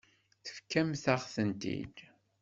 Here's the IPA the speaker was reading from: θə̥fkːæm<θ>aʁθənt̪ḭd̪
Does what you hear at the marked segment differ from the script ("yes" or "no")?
no